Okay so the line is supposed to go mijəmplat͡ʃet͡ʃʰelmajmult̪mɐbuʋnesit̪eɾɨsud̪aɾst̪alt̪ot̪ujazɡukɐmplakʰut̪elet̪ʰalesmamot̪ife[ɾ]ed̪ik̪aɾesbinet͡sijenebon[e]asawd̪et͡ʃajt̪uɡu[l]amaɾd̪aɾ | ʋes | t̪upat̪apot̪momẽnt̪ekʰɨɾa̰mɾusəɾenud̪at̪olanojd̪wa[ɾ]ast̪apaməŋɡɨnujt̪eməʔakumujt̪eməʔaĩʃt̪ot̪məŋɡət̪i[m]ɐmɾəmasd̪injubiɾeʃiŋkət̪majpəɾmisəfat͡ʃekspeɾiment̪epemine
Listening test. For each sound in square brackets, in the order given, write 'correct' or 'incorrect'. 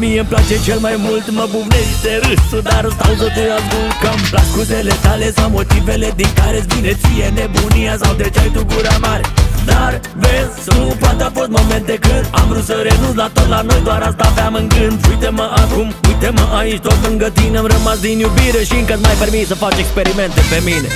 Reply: incorrect, incorrect, incorrect, correct, incorrect

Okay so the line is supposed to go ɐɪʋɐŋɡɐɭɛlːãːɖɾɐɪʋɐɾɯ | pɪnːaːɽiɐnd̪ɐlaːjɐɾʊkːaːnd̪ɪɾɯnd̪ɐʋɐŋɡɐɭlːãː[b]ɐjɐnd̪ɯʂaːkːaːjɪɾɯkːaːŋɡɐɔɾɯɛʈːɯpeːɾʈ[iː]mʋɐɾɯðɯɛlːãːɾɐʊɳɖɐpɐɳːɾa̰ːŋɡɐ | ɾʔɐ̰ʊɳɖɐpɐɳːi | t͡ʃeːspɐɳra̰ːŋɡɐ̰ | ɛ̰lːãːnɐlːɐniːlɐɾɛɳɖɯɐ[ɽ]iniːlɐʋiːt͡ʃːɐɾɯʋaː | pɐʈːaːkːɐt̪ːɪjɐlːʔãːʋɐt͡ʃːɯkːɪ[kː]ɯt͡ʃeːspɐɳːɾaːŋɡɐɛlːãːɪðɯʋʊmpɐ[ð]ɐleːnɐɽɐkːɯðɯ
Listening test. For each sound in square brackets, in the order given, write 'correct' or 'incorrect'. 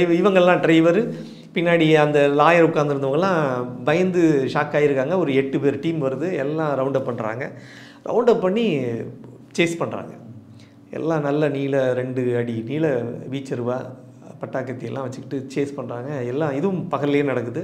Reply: correct, correct, correct, incorrect, incorrect

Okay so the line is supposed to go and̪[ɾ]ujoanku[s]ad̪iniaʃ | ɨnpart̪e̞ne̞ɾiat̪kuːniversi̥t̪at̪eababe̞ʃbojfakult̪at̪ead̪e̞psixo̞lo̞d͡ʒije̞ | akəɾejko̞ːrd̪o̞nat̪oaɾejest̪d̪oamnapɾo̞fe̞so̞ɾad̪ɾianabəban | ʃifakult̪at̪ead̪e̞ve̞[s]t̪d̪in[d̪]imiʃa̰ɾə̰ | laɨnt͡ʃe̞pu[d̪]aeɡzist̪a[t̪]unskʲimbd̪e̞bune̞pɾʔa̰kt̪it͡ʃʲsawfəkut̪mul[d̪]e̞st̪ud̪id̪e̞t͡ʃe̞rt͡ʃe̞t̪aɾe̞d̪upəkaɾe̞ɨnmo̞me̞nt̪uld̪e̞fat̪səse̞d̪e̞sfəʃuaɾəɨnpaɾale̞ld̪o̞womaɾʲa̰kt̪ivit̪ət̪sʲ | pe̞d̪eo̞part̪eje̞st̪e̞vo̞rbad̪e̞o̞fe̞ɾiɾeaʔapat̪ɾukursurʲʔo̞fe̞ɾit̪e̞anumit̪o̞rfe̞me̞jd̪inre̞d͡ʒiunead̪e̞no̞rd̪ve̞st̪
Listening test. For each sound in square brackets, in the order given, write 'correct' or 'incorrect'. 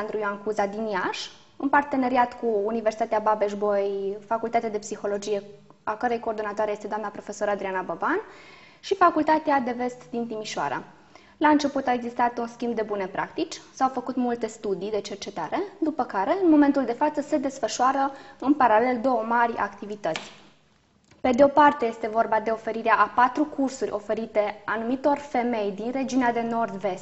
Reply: correct, incorrect, correct, incorrect, incorrect, correct, incorrect

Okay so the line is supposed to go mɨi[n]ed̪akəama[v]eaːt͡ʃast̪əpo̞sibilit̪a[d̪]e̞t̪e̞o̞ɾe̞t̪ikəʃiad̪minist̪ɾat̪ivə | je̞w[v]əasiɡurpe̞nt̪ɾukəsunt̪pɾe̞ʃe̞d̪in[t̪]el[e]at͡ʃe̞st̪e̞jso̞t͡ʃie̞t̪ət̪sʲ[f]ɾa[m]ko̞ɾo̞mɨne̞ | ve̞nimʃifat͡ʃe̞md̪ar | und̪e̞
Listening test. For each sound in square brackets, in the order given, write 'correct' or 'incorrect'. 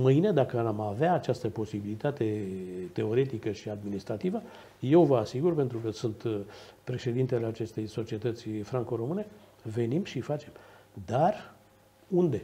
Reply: correct, correct, incorrect, correct, correct, correct, correct, incorrect

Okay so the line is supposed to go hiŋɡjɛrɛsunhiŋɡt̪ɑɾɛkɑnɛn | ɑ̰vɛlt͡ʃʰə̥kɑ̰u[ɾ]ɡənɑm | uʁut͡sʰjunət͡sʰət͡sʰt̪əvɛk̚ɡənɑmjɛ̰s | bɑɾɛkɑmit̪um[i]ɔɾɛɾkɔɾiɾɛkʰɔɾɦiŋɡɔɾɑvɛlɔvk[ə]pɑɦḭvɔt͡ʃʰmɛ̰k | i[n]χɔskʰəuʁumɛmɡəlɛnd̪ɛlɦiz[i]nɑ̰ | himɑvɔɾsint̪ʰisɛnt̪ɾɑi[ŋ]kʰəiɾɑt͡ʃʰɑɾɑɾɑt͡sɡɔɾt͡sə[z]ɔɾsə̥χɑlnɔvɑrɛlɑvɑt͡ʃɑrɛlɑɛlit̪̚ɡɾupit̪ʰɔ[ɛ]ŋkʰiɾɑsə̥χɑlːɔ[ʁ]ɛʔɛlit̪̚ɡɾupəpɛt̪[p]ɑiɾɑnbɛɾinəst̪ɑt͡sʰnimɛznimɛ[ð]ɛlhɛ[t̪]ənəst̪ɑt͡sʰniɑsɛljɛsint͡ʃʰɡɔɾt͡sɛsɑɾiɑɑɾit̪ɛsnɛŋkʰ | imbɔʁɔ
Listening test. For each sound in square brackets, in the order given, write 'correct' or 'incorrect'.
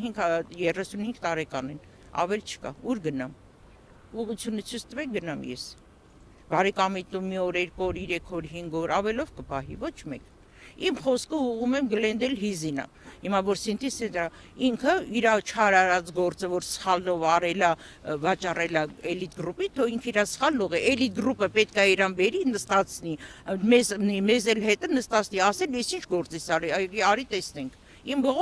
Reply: correct, correct, correct, incorrect, correct, correct, incorrect, incorrect, correct, incorrect, incorrect, correct

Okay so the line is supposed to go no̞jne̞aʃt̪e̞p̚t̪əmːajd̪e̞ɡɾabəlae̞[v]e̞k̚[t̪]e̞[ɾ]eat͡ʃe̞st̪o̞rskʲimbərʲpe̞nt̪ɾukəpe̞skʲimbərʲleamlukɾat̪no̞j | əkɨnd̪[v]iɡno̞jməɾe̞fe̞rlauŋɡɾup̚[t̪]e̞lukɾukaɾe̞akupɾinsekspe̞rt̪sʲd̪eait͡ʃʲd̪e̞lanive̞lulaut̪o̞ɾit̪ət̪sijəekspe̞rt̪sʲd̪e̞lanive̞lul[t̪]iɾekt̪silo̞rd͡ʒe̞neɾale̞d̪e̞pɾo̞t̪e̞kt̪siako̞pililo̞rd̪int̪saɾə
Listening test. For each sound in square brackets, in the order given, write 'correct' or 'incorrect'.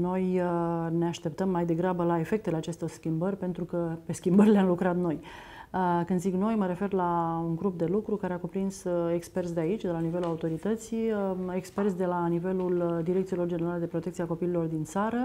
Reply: incorrect, correct, incorrect, incorrect, incorrect, incorrect

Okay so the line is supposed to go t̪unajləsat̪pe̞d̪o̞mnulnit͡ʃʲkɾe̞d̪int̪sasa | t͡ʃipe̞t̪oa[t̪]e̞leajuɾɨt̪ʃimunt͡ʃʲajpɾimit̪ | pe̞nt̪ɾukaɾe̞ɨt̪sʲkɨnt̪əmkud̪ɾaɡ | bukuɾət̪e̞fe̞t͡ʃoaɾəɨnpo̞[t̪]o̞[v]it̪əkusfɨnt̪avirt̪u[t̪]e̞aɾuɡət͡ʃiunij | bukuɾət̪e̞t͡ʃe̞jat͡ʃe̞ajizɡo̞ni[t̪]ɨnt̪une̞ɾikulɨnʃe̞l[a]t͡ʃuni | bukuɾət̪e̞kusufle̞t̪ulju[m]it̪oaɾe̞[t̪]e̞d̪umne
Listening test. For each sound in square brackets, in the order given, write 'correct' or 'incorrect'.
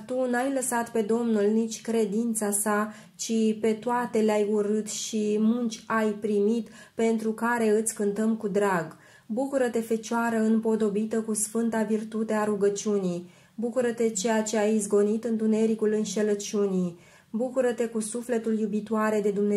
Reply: correct, incorrect, incorrect, correct, correct, incorrect, incorrect, incorrect

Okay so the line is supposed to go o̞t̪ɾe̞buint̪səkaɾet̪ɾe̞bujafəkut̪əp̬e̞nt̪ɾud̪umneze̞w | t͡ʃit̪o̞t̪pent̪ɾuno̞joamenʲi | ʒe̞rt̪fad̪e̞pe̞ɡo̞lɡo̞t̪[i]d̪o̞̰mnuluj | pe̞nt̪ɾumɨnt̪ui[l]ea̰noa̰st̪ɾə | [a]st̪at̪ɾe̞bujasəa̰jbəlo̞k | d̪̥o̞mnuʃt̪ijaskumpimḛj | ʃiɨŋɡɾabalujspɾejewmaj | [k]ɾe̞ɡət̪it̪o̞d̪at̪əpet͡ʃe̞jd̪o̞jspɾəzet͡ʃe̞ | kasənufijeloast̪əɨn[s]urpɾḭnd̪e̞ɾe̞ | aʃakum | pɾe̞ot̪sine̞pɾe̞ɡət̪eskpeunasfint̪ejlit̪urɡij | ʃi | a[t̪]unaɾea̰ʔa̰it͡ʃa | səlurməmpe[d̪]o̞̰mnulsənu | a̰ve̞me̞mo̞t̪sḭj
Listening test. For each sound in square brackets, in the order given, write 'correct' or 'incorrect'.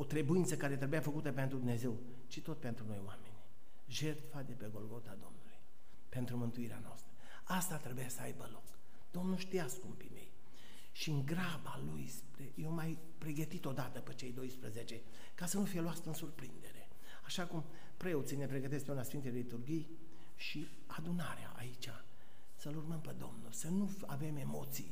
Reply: incorrect, incorrect, correct, incorrect, correct, incorrect, correct

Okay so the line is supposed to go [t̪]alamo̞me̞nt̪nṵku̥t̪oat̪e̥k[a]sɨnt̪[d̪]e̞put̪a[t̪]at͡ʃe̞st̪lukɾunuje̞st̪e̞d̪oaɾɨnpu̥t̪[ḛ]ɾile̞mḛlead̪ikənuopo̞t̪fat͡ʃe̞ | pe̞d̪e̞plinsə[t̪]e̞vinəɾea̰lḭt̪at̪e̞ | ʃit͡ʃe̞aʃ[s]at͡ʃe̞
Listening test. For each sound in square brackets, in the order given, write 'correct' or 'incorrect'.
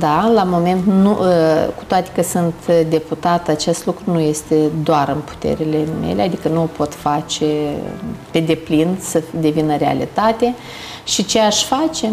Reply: incorrect, incorrect, correct, correct, correct, incorrect, incorrect

